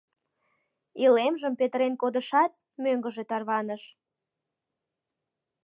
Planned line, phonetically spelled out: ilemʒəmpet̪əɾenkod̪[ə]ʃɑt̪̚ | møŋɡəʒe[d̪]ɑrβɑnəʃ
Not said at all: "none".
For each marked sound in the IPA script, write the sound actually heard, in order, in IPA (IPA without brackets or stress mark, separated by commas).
ə, t̪